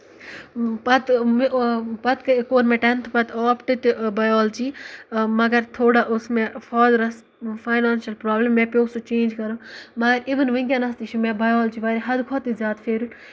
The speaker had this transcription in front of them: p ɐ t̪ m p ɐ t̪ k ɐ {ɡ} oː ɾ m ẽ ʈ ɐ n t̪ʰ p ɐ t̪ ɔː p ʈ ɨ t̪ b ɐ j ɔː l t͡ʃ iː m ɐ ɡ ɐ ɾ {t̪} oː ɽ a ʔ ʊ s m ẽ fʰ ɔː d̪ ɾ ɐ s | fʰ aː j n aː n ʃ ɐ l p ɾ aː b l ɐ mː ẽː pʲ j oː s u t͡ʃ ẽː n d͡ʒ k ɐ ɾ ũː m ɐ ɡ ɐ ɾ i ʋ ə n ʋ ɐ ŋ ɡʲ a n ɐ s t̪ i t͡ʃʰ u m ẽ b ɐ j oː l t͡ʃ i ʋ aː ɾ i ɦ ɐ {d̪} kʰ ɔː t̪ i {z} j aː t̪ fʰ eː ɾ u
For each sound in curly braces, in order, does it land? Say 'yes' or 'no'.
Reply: no, no, yes, yes

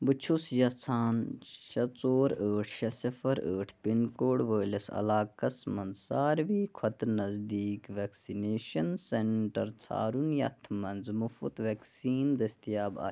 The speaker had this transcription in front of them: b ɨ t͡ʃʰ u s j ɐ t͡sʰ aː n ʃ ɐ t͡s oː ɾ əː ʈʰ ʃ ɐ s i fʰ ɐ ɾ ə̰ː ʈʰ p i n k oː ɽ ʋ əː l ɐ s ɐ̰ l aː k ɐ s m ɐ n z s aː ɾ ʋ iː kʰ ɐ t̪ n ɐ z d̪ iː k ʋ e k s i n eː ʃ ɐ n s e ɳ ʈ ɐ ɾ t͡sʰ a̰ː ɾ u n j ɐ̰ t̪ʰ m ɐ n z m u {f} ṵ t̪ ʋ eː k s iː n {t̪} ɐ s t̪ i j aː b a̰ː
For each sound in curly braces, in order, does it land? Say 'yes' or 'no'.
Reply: yes, no

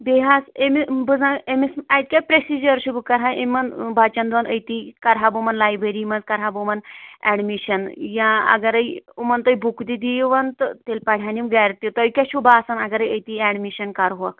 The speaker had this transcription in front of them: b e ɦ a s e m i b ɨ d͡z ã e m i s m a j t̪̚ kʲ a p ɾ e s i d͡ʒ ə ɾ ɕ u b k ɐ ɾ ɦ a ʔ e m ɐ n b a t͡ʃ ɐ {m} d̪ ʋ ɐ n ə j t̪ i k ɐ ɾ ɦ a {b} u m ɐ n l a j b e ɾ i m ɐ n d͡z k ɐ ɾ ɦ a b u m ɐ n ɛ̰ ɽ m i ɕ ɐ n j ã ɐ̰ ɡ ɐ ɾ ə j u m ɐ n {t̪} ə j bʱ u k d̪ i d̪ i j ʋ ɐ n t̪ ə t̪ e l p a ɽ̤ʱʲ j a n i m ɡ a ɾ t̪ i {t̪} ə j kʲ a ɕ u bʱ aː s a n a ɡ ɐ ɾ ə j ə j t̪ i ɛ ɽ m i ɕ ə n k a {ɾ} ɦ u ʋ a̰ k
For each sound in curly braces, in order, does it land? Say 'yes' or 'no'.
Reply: no, yes, yes, yes, yes

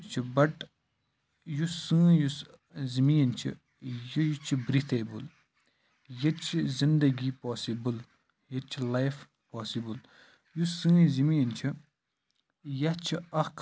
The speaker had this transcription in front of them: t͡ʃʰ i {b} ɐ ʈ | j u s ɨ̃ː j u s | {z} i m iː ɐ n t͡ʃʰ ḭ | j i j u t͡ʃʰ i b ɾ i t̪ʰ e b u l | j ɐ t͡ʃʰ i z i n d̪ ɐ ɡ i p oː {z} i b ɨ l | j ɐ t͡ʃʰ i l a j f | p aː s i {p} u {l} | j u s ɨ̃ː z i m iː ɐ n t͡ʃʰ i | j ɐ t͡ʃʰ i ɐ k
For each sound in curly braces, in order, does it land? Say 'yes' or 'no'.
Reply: yes, yes, no, no, yes

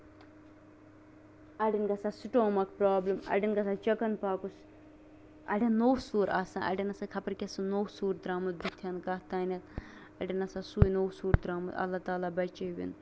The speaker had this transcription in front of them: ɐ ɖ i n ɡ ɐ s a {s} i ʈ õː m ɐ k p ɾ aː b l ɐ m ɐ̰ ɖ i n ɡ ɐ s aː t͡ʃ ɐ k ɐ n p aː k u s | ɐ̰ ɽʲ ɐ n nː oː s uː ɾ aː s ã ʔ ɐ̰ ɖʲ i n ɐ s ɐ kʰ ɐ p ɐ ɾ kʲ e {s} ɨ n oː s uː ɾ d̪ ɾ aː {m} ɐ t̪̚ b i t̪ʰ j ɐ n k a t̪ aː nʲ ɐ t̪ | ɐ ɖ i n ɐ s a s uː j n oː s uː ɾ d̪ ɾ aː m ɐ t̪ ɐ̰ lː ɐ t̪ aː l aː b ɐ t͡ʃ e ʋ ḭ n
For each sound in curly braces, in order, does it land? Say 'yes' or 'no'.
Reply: yes, yes, yes

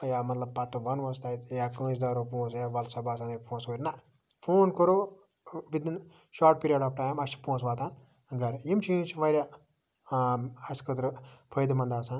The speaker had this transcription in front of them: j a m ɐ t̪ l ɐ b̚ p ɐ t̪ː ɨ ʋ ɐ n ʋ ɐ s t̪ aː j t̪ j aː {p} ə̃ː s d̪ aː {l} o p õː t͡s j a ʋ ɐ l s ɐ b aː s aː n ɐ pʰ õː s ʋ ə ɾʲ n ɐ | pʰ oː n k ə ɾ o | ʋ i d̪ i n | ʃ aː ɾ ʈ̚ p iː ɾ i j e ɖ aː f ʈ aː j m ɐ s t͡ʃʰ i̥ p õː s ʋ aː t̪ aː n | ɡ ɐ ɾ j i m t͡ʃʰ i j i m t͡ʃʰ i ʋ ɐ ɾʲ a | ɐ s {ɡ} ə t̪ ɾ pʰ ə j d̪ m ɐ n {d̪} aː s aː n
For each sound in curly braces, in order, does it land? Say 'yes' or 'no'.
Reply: no, no, no, yes

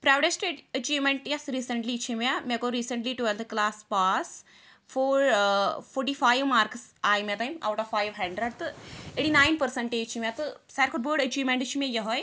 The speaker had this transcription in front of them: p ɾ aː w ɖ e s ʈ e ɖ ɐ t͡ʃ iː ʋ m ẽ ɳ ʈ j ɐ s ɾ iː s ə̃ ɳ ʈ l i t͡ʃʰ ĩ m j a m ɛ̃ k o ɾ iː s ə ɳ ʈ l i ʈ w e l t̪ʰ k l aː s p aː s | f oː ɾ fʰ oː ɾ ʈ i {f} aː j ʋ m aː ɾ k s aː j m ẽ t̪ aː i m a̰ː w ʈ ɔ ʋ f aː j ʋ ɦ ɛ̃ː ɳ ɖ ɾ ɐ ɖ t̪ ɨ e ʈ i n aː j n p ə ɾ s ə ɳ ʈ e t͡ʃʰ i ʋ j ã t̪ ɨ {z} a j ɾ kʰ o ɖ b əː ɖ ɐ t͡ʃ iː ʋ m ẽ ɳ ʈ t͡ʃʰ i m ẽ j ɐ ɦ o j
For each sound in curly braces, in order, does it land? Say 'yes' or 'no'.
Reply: yes, no

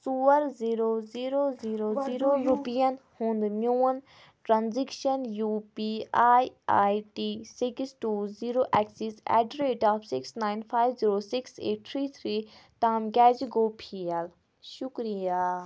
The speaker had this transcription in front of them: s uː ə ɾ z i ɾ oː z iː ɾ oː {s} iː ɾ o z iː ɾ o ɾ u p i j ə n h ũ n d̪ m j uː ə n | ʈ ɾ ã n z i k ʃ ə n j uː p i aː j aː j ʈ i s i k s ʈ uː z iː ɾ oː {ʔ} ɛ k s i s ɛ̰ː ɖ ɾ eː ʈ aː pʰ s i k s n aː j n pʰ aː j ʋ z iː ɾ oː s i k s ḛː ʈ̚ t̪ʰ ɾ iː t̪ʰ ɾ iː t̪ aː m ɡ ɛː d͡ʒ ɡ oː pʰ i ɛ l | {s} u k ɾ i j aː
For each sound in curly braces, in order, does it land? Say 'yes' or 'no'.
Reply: no, yes, no

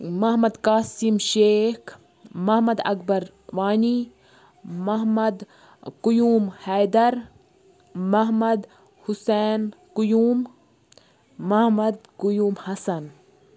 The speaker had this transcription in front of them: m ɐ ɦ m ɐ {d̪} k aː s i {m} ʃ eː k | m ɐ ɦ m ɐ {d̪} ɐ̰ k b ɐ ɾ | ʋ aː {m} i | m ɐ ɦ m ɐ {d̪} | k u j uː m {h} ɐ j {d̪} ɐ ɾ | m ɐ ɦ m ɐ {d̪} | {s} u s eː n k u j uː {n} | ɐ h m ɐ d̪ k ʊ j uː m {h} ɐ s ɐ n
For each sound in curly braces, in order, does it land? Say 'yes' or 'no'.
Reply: yes, yes, yes, no, yes, yes, yes, yes, no, no, yes

